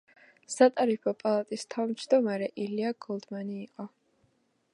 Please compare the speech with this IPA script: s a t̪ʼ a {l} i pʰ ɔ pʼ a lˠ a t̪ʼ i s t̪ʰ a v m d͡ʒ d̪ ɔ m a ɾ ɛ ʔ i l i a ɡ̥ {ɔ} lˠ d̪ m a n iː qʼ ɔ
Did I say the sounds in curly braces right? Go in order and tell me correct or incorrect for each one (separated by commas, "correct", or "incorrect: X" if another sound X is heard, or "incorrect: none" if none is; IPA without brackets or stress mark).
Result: incorrect: ɾ, correct